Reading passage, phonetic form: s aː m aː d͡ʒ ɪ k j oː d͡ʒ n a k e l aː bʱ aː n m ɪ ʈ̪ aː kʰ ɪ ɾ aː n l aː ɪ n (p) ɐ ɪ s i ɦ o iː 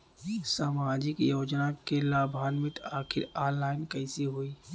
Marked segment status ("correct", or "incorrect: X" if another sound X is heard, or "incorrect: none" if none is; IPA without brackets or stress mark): incorrect: k